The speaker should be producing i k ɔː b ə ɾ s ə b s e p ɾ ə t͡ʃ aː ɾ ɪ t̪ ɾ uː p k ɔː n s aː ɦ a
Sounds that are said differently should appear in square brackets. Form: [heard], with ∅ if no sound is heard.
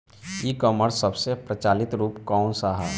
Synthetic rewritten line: i k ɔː [m] ə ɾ s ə b s e p ɾ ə t͡ʃ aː [l] ɪ t̪ ɾ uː p k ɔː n s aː ɦ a